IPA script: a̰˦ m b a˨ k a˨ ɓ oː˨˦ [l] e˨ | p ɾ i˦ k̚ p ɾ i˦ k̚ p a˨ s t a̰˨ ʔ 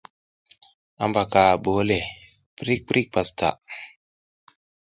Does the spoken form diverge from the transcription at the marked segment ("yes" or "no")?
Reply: no